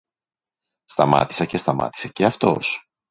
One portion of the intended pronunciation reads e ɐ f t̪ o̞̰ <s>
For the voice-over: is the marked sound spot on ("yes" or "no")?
yes